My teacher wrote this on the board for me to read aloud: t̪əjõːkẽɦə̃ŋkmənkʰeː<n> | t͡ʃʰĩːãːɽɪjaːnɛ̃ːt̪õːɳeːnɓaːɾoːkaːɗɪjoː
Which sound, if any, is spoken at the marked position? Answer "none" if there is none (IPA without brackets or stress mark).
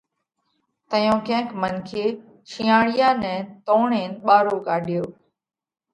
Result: none